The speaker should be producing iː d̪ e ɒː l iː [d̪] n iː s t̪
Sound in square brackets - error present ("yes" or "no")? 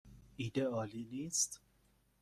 yes